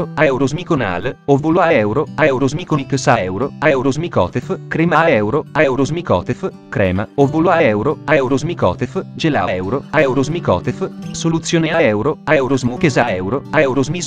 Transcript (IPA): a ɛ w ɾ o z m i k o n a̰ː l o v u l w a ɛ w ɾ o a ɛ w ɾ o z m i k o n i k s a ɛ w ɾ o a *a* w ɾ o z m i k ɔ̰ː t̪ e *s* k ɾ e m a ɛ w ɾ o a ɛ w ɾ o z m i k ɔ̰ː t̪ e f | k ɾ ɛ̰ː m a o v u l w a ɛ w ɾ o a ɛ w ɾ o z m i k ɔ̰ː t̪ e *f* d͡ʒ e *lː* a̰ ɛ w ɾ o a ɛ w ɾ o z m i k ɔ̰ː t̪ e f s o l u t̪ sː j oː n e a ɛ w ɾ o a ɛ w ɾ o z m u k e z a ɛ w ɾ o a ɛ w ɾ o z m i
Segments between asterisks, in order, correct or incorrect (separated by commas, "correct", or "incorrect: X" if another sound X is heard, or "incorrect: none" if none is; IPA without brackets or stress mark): incorrect: ɛ, incorrect: f, correct, incorrect: l